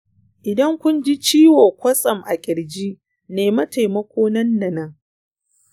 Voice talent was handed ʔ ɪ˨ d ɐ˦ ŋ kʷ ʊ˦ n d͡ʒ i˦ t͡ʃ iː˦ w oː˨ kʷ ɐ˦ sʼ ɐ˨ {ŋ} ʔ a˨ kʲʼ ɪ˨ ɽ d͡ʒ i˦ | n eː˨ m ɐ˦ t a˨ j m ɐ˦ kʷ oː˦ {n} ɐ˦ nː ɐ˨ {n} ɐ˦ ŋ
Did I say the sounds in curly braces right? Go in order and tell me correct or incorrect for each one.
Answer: incorrect: m, correct, correct

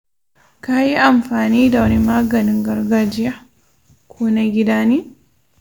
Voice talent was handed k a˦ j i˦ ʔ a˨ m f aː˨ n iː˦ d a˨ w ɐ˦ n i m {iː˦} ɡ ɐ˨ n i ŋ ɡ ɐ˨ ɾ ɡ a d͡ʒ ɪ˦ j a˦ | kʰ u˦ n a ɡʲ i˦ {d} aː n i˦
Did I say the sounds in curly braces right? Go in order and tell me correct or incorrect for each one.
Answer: incorrect: aː˦, correct

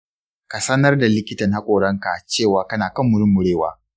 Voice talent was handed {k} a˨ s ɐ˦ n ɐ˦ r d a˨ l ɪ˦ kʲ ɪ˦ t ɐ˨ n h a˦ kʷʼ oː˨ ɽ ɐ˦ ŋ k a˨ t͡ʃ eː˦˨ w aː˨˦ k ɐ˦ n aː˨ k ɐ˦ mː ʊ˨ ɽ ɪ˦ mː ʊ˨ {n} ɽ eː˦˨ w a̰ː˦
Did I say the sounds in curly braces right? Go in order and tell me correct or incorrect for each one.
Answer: correct, incorrect: none

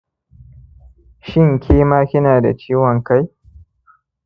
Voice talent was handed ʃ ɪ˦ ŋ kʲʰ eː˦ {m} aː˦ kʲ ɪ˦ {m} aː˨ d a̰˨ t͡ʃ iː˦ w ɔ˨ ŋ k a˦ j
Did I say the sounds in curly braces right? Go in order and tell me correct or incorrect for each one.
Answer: correct, incorrect: n

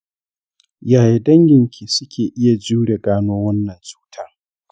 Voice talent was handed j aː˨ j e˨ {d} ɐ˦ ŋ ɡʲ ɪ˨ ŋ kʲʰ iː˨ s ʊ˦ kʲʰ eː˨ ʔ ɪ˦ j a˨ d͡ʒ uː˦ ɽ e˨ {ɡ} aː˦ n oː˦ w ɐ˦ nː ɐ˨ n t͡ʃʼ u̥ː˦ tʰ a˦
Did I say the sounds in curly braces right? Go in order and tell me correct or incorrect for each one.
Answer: correct, correct

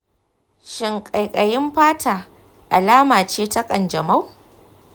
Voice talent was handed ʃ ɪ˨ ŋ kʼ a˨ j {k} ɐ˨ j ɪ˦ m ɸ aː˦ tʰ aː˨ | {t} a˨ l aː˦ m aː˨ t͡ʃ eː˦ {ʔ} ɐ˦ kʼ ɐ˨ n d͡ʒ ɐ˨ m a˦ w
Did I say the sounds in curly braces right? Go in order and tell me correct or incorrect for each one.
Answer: incorrect: kʼ, incorrect: ʔ, incorrect: t

